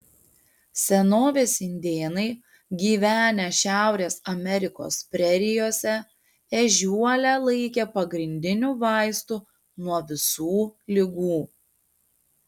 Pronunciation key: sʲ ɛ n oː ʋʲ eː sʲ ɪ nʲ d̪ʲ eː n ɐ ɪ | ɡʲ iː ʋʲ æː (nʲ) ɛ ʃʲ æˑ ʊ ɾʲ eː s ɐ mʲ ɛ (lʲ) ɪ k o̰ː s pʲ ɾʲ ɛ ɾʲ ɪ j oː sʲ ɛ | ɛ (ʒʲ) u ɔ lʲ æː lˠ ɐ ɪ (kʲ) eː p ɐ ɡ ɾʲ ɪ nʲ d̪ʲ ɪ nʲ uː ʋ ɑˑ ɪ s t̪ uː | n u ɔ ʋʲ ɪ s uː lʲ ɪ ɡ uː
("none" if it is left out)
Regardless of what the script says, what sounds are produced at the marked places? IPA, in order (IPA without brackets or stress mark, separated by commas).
nʲ, ɾʲ, ʒʲ, kʲ